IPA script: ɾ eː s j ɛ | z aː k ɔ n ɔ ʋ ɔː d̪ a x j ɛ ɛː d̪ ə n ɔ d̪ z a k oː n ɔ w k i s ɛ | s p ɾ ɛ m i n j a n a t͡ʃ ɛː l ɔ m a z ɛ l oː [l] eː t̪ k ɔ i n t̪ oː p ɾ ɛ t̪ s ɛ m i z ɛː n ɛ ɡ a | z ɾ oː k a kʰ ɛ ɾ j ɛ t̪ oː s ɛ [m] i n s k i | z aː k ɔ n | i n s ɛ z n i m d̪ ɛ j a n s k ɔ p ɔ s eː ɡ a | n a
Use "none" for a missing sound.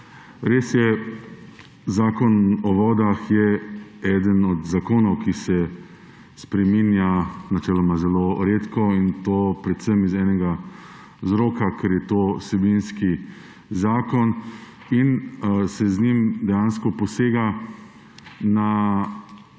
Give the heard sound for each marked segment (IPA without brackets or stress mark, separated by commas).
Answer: ɾ, b